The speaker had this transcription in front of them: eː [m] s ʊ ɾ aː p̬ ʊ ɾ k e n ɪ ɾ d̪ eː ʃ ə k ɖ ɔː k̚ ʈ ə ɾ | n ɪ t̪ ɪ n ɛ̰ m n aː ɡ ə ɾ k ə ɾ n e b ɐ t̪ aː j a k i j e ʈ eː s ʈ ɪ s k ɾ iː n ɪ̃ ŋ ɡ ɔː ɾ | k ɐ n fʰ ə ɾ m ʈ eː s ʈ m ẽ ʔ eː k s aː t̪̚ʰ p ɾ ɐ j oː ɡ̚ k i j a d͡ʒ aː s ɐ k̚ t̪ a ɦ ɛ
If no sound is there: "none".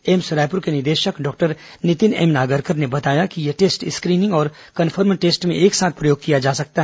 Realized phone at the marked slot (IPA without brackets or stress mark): m